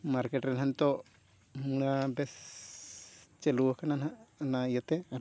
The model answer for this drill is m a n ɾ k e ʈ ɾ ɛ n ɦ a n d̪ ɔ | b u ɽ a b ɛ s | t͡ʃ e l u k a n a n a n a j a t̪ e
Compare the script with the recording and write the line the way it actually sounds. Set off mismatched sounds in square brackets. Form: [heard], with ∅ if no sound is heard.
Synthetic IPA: m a [∅] ɾ k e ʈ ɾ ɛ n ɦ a n [t̪] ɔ | [m] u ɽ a b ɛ s | t͡ʃ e l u k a n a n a n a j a t̪ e

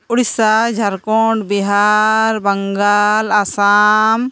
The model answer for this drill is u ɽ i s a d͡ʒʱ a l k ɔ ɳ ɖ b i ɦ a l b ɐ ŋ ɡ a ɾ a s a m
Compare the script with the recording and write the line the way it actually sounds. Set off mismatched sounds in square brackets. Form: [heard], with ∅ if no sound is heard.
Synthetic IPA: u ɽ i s a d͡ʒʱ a [ɾ] k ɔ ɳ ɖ b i ɦ a [ɾ] b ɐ ŋ ɡ a [l] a s a m

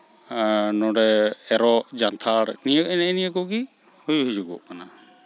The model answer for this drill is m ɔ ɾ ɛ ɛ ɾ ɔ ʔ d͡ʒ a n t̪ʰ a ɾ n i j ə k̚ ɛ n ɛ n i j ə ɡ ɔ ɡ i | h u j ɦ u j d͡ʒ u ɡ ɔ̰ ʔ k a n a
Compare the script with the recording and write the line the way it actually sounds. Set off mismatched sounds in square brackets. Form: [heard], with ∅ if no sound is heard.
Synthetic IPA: [n] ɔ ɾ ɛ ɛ ɾ ɔ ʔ d͡ʒ a n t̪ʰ a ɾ n i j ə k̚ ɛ n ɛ n i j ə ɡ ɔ ɡ i | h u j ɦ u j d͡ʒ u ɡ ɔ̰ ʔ k a n a

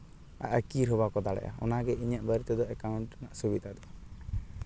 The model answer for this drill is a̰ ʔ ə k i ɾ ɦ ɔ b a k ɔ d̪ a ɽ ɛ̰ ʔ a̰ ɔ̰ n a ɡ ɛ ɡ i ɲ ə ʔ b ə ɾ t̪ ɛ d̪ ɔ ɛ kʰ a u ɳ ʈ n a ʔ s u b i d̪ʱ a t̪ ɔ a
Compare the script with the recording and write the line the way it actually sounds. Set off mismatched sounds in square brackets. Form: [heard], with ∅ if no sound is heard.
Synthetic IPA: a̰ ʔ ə k i ɾ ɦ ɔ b a k ɔ d̪ a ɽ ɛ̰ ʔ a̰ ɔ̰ n a ɡ ɛ [∅] i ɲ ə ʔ b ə ɾ t̪ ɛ d̪ ɔ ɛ [k] a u ɳ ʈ n a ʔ s u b i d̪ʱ a [d̪] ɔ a

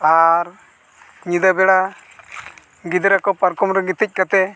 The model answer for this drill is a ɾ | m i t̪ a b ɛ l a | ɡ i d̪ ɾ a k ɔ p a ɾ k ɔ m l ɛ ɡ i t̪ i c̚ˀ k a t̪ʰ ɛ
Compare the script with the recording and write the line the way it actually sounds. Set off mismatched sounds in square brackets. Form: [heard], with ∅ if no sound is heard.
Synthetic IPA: a ɾ | [ɲ] i [d̪] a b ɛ [ɽ] a | ɡ i d̪ ɾ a k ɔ p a ɾ k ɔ m [ɾ] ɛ ɡ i t̪ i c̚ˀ k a [t̪] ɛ

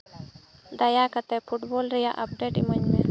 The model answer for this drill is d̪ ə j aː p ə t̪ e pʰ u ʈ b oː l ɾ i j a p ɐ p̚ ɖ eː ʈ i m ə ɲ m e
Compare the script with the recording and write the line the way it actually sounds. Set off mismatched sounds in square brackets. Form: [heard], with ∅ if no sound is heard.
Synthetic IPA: d̪ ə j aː [k] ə t̪ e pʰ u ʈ b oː l ɾ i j a [ʔ] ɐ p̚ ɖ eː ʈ i m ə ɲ m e

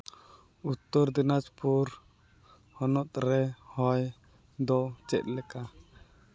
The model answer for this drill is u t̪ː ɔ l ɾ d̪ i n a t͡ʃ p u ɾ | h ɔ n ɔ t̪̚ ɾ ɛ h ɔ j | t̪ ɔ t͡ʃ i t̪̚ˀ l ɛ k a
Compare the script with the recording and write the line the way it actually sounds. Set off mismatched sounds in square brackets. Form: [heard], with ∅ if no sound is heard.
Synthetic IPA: u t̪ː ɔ [∅] ɾ d̪ i n a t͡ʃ p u ɾ | h ɔ n ɔ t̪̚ ɾ ɛ h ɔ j | [d̪] ɔ t͡ʃ [ɛ] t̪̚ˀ l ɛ k a

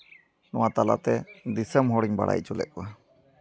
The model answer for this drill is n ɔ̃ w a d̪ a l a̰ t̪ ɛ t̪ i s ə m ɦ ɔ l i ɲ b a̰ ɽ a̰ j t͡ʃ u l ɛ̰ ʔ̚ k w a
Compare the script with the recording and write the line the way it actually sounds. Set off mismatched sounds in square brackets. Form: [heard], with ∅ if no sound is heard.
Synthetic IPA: n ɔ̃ w a [t̪] a l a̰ t̪ ɛ [d̪] i s ə m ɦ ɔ [ɽ] i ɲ b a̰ ɽ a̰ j t͡ʃ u l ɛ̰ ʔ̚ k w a

